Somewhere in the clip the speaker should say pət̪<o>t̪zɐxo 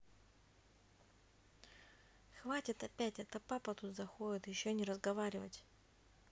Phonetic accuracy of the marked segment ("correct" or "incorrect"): incorrect